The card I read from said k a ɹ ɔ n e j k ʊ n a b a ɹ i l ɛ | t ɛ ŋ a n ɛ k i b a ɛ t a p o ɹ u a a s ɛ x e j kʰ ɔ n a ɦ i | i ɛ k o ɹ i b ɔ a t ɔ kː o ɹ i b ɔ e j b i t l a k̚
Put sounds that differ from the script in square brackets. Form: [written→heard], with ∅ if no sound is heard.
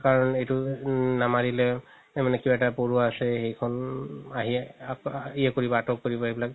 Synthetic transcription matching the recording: k a ɹ ɔ n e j [k→t] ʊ n a [b→m] a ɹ i l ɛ | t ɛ [ŋ→m] a n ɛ k i b a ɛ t a p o ɹ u a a s ɛ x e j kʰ ɔ n a ɦ i | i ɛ k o ɹ i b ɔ a t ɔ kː o ɹ i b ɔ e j b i [t→∅] l a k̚